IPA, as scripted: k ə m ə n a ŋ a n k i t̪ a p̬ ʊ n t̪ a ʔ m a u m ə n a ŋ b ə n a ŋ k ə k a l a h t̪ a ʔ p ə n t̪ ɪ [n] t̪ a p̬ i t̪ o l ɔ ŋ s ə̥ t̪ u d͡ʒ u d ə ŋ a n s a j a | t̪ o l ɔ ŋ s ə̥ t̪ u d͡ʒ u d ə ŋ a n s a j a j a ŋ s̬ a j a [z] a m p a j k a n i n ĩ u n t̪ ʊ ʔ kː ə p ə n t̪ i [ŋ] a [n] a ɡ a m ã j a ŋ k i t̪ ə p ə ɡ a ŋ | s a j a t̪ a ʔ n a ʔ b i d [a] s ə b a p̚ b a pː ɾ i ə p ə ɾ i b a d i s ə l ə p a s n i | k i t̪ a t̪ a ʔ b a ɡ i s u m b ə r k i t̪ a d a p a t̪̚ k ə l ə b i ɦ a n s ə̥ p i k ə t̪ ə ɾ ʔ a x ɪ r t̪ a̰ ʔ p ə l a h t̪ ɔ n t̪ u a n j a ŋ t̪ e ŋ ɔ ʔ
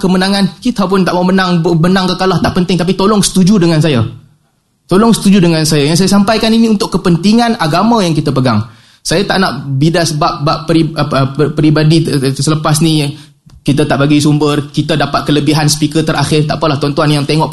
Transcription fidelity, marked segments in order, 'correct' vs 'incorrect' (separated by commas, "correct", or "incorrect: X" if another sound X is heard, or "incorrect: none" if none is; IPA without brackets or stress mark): incorrect: ŋ, incorrect: s, correct, correct, correct